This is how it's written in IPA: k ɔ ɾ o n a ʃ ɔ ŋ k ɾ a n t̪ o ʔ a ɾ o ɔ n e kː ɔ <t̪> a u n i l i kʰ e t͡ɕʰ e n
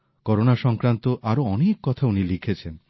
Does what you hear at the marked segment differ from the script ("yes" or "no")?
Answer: yes